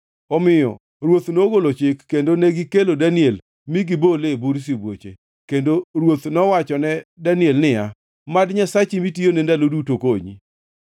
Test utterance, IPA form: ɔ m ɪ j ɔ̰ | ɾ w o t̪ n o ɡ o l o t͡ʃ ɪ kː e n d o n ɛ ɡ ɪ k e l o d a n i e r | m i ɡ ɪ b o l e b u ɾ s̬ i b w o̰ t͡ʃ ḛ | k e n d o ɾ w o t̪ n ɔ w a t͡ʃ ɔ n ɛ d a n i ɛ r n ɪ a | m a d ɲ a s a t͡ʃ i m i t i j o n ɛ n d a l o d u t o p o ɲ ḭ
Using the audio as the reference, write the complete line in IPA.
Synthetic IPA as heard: ɔ m ɪ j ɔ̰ | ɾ w o t̪ n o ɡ o l o t͡ʃ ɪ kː e n d o n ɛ ɡ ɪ k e l o d a n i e l | m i ɡ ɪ b o l e b u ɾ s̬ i b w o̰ t͡ʃ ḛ | k e n d o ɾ w o t̪ n ɔ w a t͡ʃ ɔ n ɛ d a n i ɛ l n ɪ a | m a d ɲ a s a t͡ʃ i m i t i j o n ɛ n d a l o d u t o k o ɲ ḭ